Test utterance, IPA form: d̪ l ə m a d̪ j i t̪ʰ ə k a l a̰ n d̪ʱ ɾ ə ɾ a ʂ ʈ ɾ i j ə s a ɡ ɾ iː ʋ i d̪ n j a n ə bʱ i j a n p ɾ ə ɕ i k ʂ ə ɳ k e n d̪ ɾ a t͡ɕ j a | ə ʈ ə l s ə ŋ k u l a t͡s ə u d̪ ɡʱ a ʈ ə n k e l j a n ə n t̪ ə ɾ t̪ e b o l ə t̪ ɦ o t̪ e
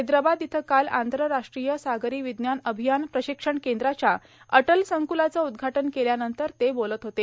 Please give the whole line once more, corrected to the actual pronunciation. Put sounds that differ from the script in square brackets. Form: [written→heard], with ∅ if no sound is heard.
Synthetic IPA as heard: d̪ [l→ɾ] ə [m→b] a d̪ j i t̪ʰ ə k a l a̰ n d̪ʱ ɾ ə ɾ a ʂ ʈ ɾ i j ə s a ɡ ɾ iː ʋ i d̪ n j a n ə bʱ i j a n p ɾ ə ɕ i k ʂ ə ɳ k e n d̪ ɾ a t͡ɕ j a | ə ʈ ə l s ə ŋ k u l a t͡s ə u d̪ ɡʱ a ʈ ə n k e l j a n ə n t̪ ə ɾ t̪ e b o l ə t̪ ɦ o t̪ e